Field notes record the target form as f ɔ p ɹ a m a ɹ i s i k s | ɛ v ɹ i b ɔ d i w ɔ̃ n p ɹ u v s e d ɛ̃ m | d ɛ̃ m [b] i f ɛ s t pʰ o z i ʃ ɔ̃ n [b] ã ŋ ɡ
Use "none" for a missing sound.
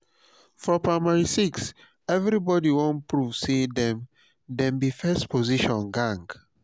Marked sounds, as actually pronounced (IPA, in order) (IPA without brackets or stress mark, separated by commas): b, ɡ